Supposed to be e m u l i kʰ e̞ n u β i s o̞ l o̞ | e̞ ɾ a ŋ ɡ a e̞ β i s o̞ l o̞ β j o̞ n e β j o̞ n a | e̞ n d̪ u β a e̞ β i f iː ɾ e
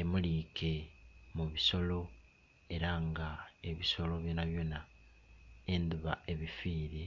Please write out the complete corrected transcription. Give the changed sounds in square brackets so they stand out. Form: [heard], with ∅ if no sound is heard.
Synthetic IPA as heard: e m u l i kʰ e̞ [m] u β i s o̞ l o̞ | e̞ ɾ a ŋ ɡ a e̞ β i s o̞ l o̞ β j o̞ n [a] β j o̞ n a | e̞ n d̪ u β a e̞ β i f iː ɾ e